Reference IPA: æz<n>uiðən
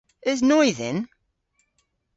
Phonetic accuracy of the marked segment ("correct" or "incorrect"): correct